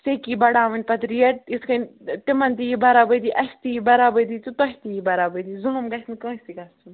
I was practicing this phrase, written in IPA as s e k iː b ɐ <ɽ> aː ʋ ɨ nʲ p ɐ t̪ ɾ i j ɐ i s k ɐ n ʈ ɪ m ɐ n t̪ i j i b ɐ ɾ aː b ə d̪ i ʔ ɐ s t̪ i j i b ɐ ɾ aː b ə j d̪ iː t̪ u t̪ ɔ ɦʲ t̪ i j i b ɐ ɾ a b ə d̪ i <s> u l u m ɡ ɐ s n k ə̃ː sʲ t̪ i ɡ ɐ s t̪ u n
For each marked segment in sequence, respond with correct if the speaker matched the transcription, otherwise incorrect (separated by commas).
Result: correct, incorrect